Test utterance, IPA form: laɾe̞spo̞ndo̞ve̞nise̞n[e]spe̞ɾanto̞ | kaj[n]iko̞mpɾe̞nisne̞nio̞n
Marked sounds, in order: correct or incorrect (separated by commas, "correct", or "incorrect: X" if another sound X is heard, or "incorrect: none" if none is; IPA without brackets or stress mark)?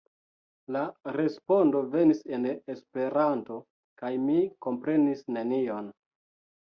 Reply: correct, incorrect: m